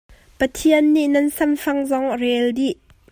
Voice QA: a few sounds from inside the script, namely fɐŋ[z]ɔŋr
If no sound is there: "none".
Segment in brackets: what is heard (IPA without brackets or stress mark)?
z